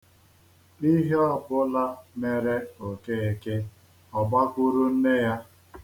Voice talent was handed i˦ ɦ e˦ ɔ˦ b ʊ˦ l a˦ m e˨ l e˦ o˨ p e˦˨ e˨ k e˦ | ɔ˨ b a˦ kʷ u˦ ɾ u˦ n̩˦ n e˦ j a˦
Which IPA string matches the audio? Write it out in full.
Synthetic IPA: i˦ ɦ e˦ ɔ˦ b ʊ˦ l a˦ m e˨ ɾ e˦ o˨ k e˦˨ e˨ k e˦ | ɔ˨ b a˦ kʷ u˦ ɾ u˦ n̩˦ n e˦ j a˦